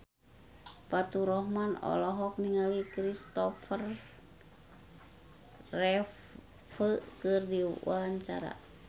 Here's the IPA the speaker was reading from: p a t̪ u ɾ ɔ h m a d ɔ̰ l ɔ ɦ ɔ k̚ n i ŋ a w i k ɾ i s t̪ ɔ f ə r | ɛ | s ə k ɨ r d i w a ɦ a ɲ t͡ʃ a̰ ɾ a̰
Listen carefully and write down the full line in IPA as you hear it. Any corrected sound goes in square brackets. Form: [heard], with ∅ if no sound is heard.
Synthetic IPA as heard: p a t̪ u ɾ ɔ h m a [n] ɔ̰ l ɔ ɦ ɔ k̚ n i ŋ a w i k ɾ i s t̪ ɔ f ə r | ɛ | [f] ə k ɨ r d i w a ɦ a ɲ t͡ʃ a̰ ɾ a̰